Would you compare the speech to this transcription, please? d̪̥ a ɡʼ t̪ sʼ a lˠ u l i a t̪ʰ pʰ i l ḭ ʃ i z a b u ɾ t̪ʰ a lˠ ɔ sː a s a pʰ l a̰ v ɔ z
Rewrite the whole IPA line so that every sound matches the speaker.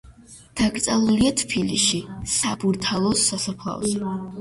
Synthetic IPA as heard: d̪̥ a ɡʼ t̪ sʼ a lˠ u l i a t̪ʰ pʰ i l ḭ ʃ i s a b u ɾ t̪ʰ a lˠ ɔ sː a s a pʰ l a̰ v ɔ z